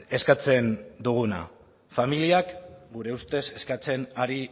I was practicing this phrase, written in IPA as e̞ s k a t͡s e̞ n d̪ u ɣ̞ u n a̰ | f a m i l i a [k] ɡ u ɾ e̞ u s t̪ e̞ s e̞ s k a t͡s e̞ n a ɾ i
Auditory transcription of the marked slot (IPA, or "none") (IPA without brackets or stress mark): k